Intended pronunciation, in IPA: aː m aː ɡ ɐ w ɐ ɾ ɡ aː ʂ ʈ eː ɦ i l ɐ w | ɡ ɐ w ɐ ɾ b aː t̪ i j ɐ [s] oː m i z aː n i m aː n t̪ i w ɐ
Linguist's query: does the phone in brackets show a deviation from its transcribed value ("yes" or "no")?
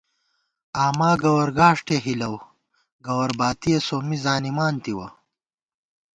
no